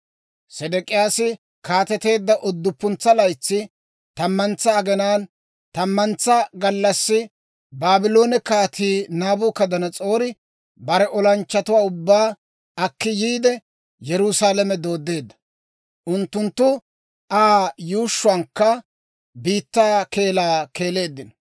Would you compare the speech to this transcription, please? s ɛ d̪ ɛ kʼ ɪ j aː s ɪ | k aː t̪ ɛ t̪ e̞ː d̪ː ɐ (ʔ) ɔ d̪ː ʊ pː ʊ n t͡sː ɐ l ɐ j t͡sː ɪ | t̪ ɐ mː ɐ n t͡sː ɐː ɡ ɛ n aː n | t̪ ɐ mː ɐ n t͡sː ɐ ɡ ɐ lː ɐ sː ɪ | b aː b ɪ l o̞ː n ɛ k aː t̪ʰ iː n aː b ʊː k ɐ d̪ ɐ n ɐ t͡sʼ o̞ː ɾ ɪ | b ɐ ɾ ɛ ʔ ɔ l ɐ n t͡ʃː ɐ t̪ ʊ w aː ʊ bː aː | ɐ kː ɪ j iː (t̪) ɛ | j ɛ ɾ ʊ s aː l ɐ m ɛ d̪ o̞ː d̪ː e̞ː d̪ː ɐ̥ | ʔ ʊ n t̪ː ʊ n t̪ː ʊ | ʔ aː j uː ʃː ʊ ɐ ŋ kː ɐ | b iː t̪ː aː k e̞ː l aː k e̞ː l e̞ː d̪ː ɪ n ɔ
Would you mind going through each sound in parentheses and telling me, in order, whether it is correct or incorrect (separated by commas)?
correct, incorrect